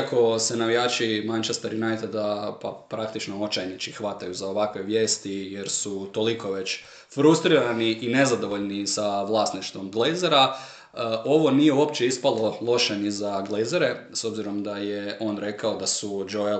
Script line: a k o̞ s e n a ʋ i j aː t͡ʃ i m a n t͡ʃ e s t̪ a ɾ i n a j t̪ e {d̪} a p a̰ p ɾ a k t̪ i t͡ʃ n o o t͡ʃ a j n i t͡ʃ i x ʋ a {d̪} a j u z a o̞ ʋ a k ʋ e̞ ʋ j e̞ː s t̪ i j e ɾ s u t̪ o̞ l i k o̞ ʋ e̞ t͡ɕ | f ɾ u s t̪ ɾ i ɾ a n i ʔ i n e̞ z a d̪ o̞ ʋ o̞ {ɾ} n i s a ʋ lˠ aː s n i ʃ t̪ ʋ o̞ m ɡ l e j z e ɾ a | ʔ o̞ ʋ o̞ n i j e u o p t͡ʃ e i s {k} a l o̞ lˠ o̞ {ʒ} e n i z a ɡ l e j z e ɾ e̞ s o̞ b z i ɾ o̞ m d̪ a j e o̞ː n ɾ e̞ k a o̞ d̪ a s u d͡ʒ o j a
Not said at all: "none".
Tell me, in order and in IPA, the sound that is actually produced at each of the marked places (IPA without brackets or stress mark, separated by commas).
d̪, t̪, ʎ, p, ʃ